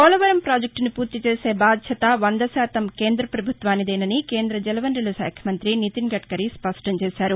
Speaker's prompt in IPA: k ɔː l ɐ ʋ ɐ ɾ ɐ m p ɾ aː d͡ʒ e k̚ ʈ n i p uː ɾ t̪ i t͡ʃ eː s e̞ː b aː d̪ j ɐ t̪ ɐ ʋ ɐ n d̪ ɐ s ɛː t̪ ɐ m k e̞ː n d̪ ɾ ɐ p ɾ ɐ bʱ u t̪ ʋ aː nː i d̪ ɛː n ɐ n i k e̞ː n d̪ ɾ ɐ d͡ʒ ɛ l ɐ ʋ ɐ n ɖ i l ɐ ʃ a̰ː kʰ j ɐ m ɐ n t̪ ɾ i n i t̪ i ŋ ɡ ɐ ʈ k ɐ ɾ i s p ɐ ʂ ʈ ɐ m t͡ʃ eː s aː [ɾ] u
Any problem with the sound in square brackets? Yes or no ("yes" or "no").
no